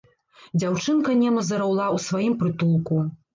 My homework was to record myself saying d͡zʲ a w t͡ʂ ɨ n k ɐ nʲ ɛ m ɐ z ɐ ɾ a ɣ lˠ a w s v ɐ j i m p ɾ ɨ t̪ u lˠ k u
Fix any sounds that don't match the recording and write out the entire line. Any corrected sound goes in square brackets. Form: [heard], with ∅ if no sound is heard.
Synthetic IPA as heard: d͡zʲ a w t͡ʂ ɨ n k ɐ nʲ ɛ m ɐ z ɐ ɾ a [w] lˠ a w s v [a] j i m p ɾ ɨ t̪ u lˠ k u